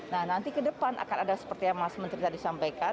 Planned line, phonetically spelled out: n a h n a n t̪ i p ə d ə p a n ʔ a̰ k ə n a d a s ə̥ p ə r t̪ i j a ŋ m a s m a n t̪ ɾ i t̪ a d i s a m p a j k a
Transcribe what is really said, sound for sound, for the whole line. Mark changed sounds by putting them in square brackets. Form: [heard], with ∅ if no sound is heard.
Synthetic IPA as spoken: n a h n a n t̪ i [k] ə d ə p a n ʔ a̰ k [a] n a d a s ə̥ p ə r t̪ i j a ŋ m a s m [ə] n t̪ ɾ i t̪ a d i s a m p a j k a